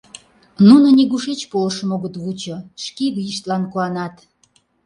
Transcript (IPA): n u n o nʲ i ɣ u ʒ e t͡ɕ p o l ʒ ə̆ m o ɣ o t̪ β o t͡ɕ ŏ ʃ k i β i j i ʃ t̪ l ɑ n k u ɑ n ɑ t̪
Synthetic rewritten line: n u n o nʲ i ɣ u ʃ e t͡ɕ p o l ʃ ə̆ m o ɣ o t̪ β u t͡ɕ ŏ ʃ k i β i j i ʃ t̪ l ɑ n k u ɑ n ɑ t̪